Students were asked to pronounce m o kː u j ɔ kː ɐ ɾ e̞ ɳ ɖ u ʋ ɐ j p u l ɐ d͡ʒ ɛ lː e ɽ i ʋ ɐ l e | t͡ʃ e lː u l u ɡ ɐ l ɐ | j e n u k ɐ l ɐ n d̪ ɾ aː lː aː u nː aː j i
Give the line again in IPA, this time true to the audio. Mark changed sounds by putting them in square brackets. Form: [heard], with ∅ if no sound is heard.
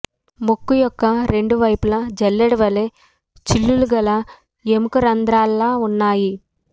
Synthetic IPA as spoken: m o kː u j ɔ kː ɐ ɾ e̞ ɳ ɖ u ʋ ɐ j p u l ɐ d͡ʒ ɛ lː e ɽ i ʋ ɐ l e | t͡ʃ [i] lː u l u ɡ ɐ l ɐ | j e [m] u k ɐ [ɾ] ɐ n d̪ ɾ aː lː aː u nː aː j i

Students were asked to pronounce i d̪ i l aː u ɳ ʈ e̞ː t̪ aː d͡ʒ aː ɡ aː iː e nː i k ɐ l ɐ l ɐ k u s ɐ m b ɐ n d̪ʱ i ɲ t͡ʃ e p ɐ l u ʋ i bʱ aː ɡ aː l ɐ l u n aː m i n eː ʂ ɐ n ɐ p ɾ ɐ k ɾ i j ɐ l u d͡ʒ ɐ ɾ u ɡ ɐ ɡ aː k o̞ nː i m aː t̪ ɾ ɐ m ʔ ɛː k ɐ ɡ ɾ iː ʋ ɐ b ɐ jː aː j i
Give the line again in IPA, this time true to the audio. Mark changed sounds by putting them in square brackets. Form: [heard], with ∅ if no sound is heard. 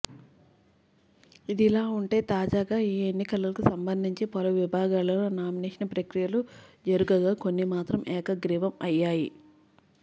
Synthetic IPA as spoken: i d̪ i l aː u ɳ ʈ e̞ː t̪ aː d͡ʒ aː ɡ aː iː e nː i k ɐ l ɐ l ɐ k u s ɐ m b ɐ n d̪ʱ i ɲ t͡ʃ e p ɐ l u ʋ i bʱ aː ɡ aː l ɐ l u n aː m i n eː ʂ ɐ n ɐ p ɾ ɐ k ɾ i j ɐ l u d͡ʒ ɐ ɾ u ɡ ɐ ɡ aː k o̞ nː i m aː t̪ ɾ ɐ m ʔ ɛː k ɐ ɡ ɾ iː ʋ ɐ [m] ɐ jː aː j i

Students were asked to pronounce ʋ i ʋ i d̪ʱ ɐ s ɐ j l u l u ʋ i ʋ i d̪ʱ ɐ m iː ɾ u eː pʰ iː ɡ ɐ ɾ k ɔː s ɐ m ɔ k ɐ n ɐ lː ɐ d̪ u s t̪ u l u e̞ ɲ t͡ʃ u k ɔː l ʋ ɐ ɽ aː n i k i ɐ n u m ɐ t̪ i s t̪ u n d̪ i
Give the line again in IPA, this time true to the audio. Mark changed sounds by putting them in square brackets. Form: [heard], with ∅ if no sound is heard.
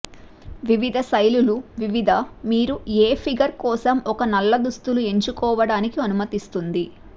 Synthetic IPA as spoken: ʋ i ʋ i d̪ʱ ɐ s ɐ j l u l u ʋ i ʋ i d̪ʱ ɐ m iː ɾ u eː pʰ [i] ɡ ɐ ɾ k ɔː s ɐ m ɔ k ɐ n ɐ lː ɐ d̪ u s t̪ u l u e̞ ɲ t͡ʃ u k ɔː [∅] ʋ ɐ ɽ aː n i k i ɐ n u m ɐ t̪ i s t̪ u n d̪ i

